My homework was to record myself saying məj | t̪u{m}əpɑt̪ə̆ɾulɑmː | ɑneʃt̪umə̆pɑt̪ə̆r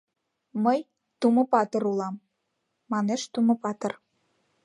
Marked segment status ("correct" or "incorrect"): correct